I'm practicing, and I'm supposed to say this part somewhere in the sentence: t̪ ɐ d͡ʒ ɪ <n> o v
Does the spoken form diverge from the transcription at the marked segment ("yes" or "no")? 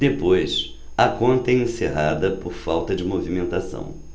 yes